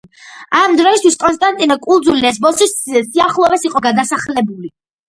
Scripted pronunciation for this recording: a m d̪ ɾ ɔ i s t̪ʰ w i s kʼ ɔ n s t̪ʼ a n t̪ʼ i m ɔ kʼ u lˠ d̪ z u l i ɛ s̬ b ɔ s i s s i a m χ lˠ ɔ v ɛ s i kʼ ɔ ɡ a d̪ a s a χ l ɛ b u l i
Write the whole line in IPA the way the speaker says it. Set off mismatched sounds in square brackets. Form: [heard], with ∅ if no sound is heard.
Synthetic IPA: a m d̪ ɾ ɔ i s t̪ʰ w i s kʼ ɔ n s t̪ʼ a n t̪ʼ i [n] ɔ kʼ u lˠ d̪ z u l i ɛ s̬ b ɔ s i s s i a [∅] χ lˠ ɔ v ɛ s i [qʼ] ɔ ɡ a d̪ a s a χ l ɛ b u l i